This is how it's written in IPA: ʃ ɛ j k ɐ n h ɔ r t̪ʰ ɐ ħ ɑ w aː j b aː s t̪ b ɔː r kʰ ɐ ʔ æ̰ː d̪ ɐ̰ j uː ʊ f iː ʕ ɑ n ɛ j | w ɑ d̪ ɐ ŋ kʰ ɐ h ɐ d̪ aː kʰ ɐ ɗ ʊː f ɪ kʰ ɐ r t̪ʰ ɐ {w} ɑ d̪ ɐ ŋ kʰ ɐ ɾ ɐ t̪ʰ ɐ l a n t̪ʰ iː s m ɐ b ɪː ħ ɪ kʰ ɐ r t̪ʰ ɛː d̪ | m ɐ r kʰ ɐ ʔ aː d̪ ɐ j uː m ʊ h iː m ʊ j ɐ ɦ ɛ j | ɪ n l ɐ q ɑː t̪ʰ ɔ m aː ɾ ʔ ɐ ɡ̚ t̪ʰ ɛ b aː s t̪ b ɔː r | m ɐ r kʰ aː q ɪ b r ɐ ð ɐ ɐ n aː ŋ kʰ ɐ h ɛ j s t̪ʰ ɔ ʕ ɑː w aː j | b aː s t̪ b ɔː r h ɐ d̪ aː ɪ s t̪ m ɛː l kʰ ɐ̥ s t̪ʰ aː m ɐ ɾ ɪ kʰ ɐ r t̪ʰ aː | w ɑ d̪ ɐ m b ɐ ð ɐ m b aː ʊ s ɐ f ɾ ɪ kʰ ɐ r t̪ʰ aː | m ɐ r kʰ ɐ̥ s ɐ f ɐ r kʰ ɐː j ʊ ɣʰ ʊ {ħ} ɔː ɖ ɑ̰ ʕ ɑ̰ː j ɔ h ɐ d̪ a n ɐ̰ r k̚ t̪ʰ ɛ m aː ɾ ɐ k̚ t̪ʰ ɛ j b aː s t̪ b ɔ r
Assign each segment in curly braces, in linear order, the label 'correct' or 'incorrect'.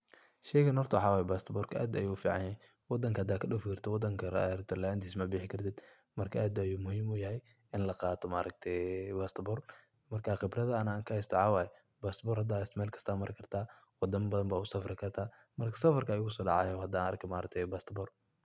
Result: correct, incorrect: s

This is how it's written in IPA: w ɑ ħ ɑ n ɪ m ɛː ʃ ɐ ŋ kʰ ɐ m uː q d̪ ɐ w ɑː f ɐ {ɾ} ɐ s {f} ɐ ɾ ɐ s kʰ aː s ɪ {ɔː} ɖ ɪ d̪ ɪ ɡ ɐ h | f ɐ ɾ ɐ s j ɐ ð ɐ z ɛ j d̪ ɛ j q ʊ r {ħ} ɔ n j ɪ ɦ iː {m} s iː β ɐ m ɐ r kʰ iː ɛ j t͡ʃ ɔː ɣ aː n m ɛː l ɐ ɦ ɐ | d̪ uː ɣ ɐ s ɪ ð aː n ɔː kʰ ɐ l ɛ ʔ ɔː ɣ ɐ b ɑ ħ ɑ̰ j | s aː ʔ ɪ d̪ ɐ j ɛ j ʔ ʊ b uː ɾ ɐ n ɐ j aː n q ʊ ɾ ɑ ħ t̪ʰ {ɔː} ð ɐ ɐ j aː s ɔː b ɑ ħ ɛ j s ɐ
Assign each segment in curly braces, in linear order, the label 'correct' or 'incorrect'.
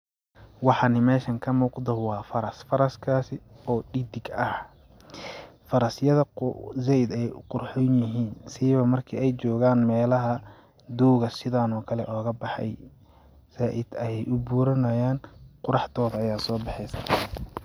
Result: correct, correct, correct, correct, incorrect: n, correct

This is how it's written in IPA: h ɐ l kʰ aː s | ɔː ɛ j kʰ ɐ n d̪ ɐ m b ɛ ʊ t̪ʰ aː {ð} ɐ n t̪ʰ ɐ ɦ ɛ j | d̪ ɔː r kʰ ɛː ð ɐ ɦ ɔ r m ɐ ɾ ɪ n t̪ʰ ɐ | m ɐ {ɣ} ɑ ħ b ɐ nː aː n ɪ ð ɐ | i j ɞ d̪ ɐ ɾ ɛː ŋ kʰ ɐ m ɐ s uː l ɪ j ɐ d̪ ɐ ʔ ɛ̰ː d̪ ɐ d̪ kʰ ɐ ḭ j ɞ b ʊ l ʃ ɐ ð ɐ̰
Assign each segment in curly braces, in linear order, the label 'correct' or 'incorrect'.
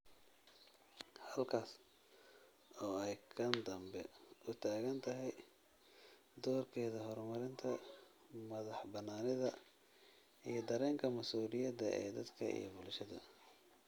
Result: incorrect: ɣ, incorrect: ð

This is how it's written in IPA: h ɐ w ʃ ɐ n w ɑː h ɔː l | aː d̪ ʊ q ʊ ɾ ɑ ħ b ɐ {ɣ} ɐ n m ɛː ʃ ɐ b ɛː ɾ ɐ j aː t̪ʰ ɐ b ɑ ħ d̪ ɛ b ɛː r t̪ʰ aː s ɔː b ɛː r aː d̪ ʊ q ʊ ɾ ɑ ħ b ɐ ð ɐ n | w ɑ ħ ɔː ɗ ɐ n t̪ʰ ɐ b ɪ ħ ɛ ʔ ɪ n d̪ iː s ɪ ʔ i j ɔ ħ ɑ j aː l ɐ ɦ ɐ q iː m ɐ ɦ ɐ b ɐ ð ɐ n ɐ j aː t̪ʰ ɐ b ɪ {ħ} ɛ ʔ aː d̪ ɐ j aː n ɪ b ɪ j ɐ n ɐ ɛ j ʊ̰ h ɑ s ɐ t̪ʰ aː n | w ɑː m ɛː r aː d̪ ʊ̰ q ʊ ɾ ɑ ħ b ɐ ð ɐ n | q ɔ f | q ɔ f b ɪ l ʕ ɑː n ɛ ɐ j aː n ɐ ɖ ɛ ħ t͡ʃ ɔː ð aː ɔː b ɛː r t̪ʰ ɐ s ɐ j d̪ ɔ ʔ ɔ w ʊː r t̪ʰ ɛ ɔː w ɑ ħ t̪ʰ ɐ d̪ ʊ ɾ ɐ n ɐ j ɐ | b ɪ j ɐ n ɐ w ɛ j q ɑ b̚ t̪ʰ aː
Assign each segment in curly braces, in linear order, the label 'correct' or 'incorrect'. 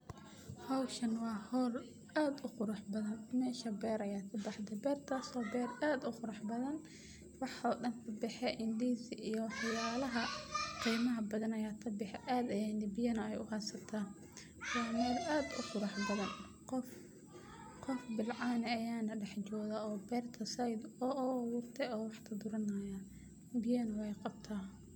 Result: incorrect: ð, correct

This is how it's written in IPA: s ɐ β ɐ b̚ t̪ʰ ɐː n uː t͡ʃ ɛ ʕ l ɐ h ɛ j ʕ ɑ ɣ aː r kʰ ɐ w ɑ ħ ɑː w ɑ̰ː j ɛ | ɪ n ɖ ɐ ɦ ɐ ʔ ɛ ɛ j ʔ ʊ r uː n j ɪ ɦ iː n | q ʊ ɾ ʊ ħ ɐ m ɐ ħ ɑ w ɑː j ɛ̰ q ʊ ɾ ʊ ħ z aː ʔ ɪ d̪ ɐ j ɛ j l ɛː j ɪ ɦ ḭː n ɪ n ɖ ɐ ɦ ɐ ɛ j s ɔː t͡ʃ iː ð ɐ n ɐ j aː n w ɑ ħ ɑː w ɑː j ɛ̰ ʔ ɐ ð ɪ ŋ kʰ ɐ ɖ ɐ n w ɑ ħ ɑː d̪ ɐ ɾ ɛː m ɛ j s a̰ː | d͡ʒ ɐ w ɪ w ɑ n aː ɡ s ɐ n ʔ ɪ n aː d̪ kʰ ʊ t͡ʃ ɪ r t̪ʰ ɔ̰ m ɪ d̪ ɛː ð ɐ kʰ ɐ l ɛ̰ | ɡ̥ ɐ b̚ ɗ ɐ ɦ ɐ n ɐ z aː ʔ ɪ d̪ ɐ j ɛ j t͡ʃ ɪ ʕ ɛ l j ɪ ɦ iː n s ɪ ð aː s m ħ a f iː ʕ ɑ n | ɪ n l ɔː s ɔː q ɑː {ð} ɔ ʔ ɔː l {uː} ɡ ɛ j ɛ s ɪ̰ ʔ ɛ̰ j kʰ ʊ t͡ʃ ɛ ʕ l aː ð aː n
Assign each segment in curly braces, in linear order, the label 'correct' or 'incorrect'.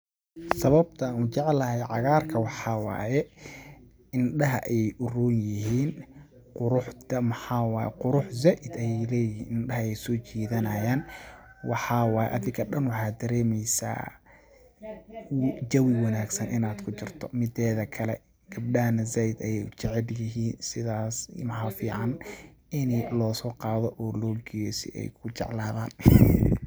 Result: correct, incorrect: ɔː

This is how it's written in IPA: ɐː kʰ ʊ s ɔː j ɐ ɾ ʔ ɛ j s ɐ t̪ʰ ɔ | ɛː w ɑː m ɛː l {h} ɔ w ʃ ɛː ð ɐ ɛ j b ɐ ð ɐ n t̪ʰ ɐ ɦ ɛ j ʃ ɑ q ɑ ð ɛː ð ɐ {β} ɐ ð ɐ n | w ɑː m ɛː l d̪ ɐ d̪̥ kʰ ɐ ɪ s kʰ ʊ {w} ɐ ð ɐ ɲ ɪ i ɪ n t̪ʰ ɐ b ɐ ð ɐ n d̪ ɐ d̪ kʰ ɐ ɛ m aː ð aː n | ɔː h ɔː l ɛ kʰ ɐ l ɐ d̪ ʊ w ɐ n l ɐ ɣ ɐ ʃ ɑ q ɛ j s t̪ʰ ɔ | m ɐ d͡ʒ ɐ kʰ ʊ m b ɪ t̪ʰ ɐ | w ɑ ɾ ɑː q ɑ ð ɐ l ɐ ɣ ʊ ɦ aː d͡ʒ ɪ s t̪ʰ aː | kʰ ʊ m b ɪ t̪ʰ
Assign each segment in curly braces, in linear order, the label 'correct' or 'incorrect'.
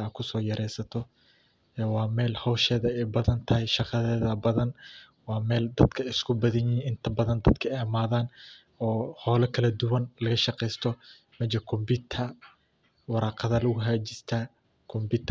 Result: correct, incorrect: b, incorrect: b

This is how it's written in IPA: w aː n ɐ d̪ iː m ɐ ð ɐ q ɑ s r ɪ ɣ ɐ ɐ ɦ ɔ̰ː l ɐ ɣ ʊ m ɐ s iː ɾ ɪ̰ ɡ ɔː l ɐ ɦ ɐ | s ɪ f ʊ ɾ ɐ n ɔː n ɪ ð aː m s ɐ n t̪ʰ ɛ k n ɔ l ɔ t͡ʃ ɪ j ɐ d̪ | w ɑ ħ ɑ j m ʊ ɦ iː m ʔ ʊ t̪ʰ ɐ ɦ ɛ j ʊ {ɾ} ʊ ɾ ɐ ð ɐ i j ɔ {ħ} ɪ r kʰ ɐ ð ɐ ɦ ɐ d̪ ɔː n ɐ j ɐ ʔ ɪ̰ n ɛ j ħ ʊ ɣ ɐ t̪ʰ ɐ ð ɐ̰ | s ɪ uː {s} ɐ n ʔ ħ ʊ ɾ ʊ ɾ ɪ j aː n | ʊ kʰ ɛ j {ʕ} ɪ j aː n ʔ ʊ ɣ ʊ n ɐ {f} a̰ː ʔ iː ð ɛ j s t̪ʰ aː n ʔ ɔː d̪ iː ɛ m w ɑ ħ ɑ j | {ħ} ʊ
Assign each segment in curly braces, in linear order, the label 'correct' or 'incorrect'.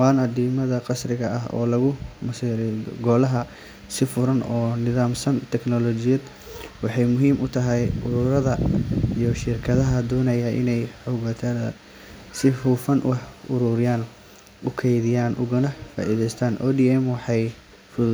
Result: correct, incorrect: ʃ, incorrect: f, incorrect: ð, correct, incorrect: f

